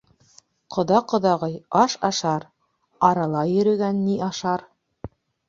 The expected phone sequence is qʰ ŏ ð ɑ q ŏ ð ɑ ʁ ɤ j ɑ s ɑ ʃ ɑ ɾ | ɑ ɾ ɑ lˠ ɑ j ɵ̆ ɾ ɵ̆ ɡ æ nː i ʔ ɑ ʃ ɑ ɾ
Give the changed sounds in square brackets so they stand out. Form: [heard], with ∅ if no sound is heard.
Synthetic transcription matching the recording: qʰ ŏ ð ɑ q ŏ ð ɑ ʁ ɤ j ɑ [ʃ] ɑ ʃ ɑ ɾ | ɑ ɾ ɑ lˠ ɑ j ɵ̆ ɾ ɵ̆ ɡ æ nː i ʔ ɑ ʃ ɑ ɾ